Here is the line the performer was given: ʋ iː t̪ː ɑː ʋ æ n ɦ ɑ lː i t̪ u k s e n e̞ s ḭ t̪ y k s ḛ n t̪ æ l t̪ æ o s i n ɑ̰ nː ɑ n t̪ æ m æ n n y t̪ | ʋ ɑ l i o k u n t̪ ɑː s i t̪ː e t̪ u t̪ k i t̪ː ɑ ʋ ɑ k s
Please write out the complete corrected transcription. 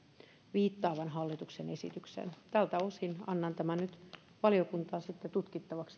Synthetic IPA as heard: ʋ iː t̪ː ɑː ʋ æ n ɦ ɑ lː i t̪ u k s e n e̞ s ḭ t̪ y k s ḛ n t̪ æ l t̪ æ o s i n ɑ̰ nː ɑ n t̪ æ m æ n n y t̪ | ʋ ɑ l i o k u n t̪ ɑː s i t̪ː e t̪ u t̪ k i t̪ː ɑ ʋ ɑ k s